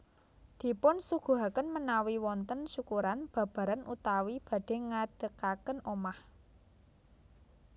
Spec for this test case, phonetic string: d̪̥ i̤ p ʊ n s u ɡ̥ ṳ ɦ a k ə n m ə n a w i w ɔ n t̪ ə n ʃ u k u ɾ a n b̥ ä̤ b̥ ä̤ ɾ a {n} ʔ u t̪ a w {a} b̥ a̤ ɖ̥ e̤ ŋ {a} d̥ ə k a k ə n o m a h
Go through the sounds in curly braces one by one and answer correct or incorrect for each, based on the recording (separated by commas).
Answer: correct, incorrect, correct